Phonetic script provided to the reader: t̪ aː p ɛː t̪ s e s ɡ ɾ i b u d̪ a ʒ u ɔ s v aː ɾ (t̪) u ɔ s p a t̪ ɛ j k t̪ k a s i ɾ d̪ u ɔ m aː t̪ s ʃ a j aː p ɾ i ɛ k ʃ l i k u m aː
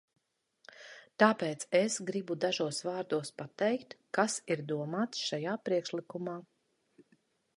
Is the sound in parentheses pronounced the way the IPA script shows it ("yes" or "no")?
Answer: no